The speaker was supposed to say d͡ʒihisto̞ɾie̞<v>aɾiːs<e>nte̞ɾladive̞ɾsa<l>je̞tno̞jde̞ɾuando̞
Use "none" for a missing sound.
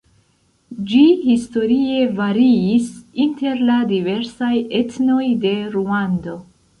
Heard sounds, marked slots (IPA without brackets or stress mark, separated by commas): v, i, none